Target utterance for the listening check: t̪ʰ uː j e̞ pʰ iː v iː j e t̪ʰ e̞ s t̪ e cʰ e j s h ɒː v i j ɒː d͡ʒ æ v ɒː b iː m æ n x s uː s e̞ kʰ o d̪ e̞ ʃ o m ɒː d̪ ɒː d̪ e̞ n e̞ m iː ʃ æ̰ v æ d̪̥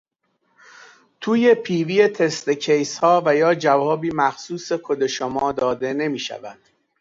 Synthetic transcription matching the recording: t̪ʰ uː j e̞ pʰ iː v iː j e t̪ʰ e̞ s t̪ e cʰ e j s h ɒː v æ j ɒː d͡ʒ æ v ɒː b iː m æ x s uː s e̞ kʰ o d̪ e̞ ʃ o m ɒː d̪ ɒː d̪ e̞ n e̞ m iː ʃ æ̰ v æ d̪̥